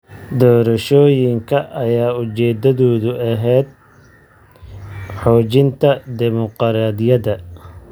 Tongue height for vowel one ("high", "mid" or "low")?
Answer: mid